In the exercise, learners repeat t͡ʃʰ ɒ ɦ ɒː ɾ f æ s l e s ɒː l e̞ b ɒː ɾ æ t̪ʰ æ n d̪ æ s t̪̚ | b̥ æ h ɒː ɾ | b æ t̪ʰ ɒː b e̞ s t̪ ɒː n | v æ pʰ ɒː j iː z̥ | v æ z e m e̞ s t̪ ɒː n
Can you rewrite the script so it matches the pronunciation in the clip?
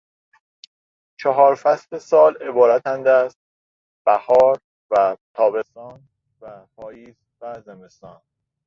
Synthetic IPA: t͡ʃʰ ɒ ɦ ɒː ɾ f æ s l e s ɒː l e̞ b ɒː ɾ æ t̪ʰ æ n d̪ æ s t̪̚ | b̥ æ h ɒː ɾ | v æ t̪ʰ ɒː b e̞ s t̪ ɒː n | v æ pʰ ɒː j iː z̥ | v æ z e m e̞ s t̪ ɒː n